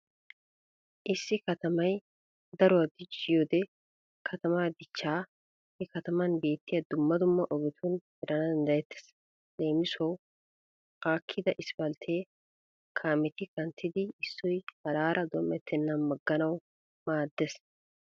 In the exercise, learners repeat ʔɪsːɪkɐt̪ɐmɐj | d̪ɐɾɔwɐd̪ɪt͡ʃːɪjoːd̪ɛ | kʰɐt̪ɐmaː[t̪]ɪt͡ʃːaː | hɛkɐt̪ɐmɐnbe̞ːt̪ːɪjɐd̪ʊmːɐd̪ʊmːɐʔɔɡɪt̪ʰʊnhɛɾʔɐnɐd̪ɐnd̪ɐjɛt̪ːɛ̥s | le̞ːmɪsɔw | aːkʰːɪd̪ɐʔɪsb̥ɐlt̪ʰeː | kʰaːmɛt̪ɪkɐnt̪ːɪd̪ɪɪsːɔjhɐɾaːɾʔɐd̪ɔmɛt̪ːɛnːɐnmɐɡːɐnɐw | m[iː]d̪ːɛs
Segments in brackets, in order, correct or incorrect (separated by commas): incorrect, incorrect